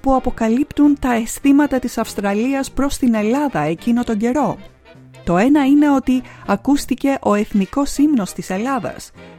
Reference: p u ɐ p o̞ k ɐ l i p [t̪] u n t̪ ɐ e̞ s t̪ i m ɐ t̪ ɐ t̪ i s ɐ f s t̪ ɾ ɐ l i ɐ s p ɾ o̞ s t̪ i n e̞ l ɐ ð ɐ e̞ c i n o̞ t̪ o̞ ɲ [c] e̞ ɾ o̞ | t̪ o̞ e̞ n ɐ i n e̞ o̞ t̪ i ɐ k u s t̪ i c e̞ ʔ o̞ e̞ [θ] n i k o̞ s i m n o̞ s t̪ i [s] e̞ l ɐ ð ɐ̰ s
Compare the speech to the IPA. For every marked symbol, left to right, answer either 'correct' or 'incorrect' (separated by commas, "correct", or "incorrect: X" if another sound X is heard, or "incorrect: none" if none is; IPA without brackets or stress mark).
correct, incorrect: ɟ, correct, correct